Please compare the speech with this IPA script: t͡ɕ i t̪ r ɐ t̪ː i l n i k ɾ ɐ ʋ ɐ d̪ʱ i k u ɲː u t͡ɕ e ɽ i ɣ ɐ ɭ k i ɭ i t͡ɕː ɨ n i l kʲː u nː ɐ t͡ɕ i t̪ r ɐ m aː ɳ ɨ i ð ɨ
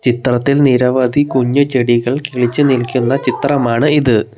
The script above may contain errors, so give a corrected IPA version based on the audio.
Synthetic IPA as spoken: t͡ɕ i t̪ r ɐ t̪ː i l n i ɾ ɐ ʋ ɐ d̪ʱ i k u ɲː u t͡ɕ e ɽ i ɣ ɐ ɭ k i ɭ i t͡ɕː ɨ n i l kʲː u nː ɐ t͡ɕ i t̪ r ɐ m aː ɳ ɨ i ð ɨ